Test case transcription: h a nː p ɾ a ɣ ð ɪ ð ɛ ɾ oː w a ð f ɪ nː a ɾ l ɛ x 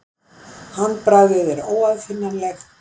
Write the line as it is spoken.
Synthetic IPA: h a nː p ɾ a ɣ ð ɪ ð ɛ ɾ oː w a ð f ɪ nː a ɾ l ɛ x